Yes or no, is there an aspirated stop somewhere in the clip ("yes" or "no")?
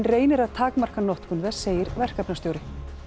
yes